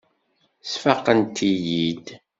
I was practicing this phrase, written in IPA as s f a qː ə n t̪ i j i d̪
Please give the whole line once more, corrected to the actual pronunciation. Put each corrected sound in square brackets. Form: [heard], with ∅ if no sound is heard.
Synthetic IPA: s f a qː ə n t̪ i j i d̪